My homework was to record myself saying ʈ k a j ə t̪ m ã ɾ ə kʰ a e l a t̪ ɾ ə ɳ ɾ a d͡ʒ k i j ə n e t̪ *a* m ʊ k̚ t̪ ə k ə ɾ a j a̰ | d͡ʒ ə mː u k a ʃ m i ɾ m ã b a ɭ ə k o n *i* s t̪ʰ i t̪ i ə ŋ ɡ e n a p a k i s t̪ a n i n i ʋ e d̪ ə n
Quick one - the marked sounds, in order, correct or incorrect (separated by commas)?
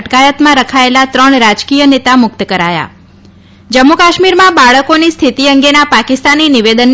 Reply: correct, correct